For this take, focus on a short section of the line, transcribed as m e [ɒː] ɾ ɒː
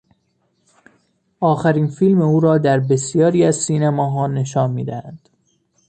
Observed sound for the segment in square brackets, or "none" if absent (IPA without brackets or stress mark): uː